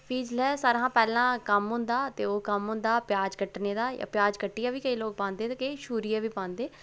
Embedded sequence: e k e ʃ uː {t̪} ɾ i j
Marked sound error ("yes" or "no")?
yes